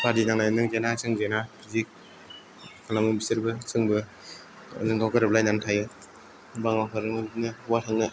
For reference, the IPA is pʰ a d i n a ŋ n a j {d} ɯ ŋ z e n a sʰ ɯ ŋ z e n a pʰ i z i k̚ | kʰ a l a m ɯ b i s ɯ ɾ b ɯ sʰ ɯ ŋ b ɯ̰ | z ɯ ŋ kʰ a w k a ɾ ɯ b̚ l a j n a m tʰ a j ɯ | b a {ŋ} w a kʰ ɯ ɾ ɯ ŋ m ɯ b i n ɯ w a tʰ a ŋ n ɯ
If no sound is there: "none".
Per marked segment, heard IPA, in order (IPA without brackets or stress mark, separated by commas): n, ŋ